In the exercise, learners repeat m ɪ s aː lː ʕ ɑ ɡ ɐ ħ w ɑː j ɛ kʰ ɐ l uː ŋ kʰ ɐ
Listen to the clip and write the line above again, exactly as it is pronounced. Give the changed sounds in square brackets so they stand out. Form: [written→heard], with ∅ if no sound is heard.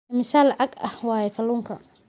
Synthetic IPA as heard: m ɪ s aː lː ʕ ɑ ɡ ɐ [ħ→h] w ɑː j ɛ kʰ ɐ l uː ŋ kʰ ɐ